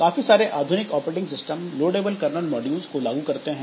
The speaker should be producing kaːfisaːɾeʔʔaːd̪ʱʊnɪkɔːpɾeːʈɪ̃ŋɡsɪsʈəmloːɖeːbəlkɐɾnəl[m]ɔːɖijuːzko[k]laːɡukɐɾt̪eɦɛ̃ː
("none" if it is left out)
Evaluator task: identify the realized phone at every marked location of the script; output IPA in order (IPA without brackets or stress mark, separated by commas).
m, none